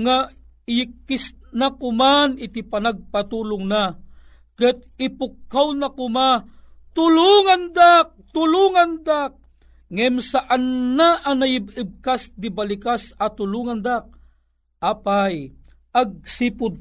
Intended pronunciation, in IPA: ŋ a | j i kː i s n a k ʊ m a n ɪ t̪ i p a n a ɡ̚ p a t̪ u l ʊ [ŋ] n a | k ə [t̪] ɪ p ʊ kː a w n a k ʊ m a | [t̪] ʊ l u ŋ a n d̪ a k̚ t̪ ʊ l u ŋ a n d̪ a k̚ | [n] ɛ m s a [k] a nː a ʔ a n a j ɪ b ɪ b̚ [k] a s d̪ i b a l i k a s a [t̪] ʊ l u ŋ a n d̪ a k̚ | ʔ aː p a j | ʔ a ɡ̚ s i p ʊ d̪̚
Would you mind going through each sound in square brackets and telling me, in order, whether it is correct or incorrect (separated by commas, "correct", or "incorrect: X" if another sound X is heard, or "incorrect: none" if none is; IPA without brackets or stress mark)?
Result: correct, correct, correct, incorrect: ŋ, incorrect: ʔ, correct, correct